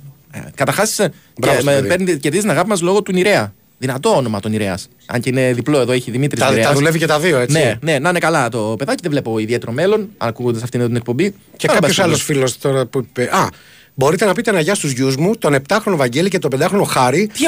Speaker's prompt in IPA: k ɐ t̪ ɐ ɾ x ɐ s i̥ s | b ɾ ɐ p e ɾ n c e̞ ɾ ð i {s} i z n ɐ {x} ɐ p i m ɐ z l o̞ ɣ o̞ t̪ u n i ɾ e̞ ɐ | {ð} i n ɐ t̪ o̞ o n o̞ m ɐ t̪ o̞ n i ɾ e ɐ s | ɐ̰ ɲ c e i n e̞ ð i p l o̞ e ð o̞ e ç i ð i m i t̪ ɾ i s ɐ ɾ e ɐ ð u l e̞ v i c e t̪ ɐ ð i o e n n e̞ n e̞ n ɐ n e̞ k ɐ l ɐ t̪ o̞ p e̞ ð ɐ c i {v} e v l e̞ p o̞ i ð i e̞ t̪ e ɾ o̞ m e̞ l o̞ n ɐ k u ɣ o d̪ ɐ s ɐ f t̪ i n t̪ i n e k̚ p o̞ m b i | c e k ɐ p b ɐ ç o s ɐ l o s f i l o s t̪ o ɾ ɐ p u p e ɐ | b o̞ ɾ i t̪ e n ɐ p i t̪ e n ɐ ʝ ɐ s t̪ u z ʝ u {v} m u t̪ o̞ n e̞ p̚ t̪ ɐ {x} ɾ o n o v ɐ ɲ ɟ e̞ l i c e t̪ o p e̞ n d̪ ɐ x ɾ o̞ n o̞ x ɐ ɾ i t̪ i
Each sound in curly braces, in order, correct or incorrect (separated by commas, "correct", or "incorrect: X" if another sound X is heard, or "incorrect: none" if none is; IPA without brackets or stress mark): incorrect: z, incorrect: ɣ, correct, incorrect: ð, incorrect: z, correct